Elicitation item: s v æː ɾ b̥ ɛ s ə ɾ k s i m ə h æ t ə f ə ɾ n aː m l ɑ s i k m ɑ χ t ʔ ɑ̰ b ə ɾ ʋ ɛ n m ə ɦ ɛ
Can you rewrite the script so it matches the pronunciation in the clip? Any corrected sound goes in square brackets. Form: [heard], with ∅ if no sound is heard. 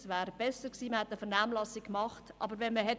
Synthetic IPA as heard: s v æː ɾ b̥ ɛ s ə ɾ k s [iː] m ə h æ t ə f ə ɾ n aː m l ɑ s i k m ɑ χ t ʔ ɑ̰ b ə ɾ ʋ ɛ n m ə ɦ ɛ

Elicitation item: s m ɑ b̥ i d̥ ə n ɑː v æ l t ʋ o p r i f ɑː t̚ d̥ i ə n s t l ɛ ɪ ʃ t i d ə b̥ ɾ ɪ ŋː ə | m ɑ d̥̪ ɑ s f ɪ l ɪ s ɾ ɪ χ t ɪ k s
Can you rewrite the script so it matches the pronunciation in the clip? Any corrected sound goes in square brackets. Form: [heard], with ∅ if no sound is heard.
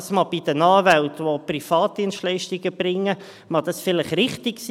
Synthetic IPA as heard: s m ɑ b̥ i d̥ ə n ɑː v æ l t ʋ o p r i f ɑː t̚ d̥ i ə n s t l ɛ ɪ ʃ t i [ɡ] ə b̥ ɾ ɪ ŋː ə | m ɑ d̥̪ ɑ s f ɪ l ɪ [χ] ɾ ɪ χ t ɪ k s

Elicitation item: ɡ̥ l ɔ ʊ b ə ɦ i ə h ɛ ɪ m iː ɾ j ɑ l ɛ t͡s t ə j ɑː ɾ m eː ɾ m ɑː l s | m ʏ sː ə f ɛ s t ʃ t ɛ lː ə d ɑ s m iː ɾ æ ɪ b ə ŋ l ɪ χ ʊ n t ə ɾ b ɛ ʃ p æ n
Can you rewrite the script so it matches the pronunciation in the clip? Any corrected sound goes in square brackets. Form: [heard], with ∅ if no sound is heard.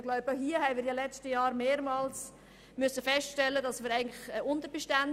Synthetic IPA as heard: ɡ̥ l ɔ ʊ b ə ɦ i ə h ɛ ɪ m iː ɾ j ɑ l ɛ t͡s t ə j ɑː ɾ m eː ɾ m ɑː l s | m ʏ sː ə f ɛ s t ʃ t ɛ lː ə d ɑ s m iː ɾ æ ɪ [ɡ] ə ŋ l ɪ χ ʊ n t ə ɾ b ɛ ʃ [t] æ n

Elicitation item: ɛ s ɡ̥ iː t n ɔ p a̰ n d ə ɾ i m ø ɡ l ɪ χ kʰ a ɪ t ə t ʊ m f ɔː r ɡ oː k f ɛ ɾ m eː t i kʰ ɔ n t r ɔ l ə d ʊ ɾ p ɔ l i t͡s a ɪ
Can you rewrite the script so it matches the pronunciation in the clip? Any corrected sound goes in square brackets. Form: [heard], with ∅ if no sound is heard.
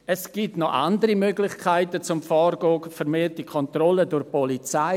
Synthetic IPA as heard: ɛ s ɡ̥ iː t n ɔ [ʔ] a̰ n d ə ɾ i m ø ɡ l ɪ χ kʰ a ɪ t ə [t͡s] ʊ m f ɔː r ɡ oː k f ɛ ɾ m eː t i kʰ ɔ n t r ɔ l ə d ʊ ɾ p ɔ l i t͡s a ɪ

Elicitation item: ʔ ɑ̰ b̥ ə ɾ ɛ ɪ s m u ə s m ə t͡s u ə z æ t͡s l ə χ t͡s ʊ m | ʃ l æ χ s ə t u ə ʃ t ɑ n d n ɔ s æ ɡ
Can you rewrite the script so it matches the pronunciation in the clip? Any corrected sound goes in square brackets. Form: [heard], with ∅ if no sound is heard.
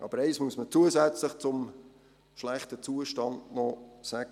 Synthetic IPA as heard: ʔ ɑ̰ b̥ ə ɾ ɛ ɪ s m u ə s m ə t͡s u ə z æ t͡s l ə χ t͡s ʊ m | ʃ l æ χ [t] ə [t͡s] u ə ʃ t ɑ n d n ɔ s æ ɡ

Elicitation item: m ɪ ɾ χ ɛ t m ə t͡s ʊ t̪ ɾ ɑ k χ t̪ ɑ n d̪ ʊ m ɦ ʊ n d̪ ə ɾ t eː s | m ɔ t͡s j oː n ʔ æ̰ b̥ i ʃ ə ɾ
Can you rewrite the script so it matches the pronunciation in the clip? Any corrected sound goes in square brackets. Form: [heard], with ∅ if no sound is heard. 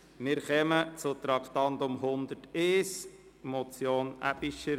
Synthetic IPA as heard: m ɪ ɾ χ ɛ [∅] m ə t͡s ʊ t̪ ɾ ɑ k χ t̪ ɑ n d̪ ʊ m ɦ ʊ n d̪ ə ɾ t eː s | m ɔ t͡s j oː n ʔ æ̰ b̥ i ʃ ə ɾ

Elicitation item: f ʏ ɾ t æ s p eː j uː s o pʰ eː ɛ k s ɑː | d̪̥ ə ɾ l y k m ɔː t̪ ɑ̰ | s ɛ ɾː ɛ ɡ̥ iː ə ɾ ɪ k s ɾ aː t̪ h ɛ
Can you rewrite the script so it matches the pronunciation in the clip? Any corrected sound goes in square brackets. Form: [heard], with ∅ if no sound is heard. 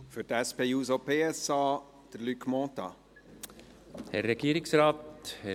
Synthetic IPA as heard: f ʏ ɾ t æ s p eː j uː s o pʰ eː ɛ [∅] s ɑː | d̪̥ ə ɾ l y k m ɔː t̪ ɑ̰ | [h] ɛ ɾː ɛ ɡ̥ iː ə ɾ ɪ k s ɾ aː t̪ h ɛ

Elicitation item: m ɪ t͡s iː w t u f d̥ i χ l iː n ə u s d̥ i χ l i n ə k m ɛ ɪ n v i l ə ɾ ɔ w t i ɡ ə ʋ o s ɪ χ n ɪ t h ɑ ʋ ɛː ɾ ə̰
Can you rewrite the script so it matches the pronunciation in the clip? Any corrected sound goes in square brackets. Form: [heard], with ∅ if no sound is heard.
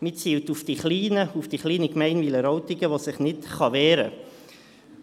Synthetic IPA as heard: m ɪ t͡s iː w t u f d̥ i χ l iː n ə u [f] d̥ i χ l [iː] n ə k m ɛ ɪ n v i l ə ɾ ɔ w t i ɡ ə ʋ o s ɪ χ n ɪ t [χ] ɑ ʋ ɛː ɾ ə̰

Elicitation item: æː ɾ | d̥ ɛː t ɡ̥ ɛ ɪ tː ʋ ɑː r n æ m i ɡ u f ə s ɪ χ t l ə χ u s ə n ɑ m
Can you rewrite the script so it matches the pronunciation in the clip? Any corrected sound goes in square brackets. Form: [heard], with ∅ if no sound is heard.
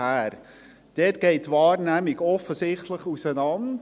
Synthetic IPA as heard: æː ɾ | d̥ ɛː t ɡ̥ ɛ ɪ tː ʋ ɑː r n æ m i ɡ [ɔ] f ə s ɪ χ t l ə χ u s ə n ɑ [n]

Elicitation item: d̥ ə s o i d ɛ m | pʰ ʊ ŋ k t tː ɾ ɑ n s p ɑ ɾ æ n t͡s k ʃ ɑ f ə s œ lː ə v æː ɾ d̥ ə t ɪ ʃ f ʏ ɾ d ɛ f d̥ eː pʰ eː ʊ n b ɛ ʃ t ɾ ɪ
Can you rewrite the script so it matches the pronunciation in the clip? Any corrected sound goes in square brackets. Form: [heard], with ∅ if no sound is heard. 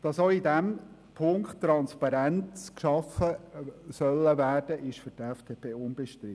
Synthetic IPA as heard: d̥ [ɑ] s o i d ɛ m | pʰ ʊ ŋ k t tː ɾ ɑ n s p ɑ ɾ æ n t͡s k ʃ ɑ f ə s œ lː ə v æː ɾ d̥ ə [ʔ] ɪ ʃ f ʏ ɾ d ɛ f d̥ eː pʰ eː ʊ n b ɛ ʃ t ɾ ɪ

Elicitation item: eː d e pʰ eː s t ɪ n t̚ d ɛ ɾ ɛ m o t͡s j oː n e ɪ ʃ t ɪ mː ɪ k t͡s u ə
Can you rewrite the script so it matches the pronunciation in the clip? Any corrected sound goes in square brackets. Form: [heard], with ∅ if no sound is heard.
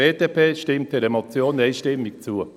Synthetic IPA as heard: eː d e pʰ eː [ʃ] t ɪ [m] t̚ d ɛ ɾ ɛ m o t͡s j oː n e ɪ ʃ t ɪ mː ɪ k t͡s u ə

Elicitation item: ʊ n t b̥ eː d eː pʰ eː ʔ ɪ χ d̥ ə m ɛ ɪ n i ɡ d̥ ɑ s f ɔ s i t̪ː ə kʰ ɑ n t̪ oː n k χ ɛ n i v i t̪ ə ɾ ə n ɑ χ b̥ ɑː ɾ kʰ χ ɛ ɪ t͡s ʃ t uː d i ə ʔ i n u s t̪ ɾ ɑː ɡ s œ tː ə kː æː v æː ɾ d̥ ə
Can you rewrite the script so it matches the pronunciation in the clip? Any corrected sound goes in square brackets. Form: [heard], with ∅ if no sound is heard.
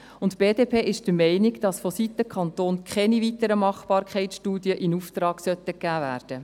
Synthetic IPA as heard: ʊ n t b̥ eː d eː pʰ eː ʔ ɪ [ʃ] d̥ ə m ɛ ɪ n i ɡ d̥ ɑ s f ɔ s i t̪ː ə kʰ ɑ n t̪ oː n k χ ɛ n i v i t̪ ə ɾ ə [m] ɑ χ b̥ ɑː ɾ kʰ χ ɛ ɪ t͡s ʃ t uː d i ə ʔ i n u [f] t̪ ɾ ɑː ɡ s œ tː ə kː æː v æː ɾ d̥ ə

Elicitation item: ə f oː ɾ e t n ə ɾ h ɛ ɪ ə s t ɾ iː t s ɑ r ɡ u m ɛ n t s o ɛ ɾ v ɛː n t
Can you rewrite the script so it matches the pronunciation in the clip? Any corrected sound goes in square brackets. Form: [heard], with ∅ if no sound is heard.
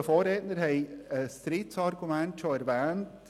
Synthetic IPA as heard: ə f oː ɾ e t n ə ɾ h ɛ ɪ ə s t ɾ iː t s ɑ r ɡ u m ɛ n t [ʃ] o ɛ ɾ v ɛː n t

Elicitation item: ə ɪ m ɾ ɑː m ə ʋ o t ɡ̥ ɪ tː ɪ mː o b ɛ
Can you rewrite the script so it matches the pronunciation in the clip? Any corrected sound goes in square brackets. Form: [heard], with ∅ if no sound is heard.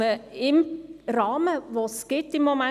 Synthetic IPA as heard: ə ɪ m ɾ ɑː m ə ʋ o [s] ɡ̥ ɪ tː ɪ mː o [m] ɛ

